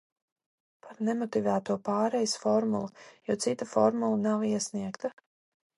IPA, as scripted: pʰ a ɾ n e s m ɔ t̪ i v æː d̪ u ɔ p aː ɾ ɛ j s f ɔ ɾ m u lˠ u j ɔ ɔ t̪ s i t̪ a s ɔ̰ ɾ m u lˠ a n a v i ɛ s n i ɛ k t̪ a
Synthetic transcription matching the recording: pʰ a ɾ n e m ɔ t̪ i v æː t̪ u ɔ p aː ɾ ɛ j s f ɔ ɾ m u lˠ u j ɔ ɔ t̪ s i t̪ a f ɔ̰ ɾ m u lˠ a n a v i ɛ s n i ɛ k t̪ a

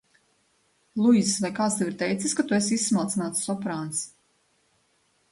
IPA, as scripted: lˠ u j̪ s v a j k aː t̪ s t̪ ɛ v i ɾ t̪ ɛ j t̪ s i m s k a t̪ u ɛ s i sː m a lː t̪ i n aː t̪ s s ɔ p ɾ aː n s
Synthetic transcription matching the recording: lˠ u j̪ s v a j k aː t̪ s t̪ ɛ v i ɾ t̪ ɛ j t̪ s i s k a t̪ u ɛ s i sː m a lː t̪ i n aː t̪ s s ɔ p ɾ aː n s

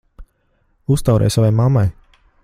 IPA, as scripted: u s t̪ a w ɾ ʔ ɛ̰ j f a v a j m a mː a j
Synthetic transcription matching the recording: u s t̪ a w ɾ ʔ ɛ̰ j s a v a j m a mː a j

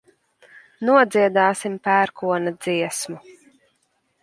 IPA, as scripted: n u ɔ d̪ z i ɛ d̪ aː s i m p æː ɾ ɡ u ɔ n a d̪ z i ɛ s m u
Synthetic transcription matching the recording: n u ɔ d̪ z i ɛ d̪ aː s i m p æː ɾ k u ɔ n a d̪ z i ɛ s m u

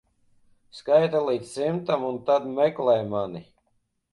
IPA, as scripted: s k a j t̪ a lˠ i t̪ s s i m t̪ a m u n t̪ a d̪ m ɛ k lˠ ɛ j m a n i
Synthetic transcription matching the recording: s k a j t̪ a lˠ i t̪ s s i m t̪ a m u n t̪ a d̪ m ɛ k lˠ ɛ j m a n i

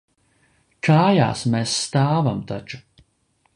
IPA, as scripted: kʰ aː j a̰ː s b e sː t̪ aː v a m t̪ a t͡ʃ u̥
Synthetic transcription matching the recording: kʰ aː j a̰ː s m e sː t̪ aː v a m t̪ a t͡ʃ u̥

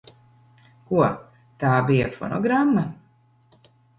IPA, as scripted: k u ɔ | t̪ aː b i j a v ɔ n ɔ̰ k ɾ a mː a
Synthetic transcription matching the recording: k u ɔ | t̪ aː b i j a f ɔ n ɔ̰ ɡ ɾ a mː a

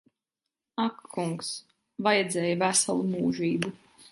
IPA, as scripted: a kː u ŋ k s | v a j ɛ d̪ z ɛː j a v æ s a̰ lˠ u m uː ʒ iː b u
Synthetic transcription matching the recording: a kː u ŋ k s | v a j ɛ d̪ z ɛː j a v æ s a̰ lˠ u m uː ʒ iː b u

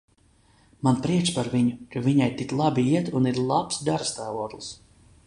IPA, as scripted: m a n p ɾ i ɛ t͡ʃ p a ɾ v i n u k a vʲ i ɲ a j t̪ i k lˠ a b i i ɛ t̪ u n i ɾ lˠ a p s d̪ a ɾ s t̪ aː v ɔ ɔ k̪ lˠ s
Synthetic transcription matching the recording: m a n p ɾ i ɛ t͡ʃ p a ɾ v i ɲ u k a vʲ i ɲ a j t̪ i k lˠ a b i i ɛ t̪ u n i ɾ lˠ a p s d̪ a ɾ s t̪ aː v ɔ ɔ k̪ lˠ s

